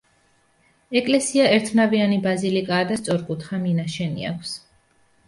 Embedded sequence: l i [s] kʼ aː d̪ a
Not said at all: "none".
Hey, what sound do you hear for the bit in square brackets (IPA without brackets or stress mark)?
none